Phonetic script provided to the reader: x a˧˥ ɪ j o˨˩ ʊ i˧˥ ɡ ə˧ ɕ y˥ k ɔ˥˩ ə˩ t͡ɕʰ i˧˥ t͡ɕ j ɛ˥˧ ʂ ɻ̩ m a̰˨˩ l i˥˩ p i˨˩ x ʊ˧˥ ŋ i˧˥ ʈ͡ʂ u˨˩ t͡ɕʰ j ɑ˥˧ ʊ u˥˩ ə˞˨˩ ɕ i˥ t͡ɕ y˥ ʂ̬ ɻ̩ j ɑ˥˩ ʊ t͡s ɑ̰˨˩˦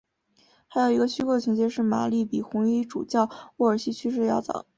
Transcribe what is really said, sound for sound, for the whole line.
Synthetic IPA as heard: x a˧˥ ɪ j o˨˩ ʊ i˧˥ ɡ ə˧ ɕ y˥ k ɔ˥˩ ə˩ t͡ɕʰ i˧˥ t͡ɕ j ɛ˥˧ ʂ ɻ̩ m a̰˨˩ l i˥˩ p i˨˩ x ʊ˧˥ ŋ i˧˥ ʈ͡ʂ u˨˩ t͡ɕ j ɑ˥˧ ʊ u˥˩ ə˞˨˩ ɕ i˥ t͡ɕʰ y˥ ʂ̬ ɻ̩ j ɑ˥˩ ʊ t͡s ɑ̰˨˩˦